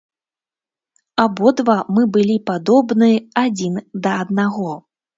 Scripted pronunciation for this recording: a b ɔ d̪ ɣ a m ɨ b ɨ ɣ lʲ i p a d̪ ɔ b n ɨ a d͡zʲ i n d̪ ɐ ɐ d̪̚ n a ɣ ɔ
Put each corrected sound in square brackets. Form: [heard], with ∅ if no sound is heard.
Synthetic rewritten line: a b ɔ d̪ [v] a m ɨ b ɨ [∅] lʲ i p a d̪ ɔ b n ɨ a d͡zʲ i n d̪ ɐ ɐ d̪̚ n a ɣ ɔ